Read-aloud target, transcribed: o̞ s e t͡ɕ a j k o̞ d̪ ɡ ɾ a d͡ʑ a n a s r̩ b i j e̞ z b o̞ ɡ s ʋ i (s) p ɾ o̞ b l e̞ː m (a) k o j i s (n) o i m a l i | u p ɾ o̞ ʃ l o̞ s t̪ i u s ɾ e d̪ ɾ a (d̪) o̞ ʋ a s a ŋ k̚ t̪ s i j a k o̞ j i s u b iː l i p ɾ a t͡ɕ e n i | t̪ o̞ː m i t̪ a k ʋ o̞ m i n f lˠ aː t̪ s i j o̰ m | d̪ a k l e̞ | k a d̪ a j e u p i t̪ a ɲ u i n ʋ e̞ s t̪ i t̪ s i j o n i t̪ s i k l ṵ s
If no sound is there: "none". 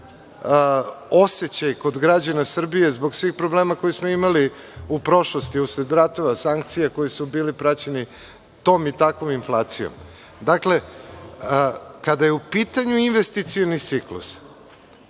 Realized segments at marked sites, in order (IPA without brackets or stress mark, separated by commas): x, a, m, t̪